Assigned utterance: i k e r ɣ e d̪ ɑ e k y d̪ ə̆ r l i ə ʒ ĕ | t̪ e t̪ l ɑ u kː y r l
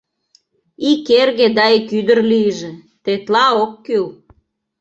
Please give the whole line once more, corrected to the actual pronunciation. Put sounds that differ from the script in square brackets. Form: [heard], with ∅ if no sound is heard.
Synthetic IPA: i k e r ɣ e d̪ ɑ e k y d̪ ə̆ r l i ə ʒ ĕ | t̪ e t̪ l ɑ [o] kː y [∅] l